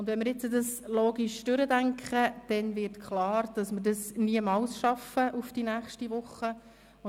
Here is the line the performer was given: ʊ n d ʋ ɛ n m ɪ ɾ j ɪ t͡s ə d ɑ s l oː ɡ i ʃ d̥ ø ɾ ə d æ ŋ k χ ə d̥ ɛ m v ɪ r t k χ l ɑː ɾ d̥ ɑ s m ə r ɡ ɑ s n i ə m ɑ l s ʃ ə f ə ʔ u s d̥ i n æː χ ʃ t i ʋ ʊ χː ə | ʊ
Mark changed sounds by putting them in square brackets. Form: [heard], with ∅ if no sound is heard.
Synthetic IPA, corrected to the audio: ʊ n d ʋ ɛ n m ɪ ɾ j ɪ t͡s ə d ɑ s l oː ɡ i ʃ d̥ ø ɾ ə d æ ŋ k χ ə d̥ ɛ [n] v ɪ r t k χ l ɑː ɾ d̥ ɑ s m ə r [d] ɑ s n i ə m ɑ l s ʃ [ɑ] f ə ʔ u [f] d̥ i n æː χ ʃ t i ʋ ʊ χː ə | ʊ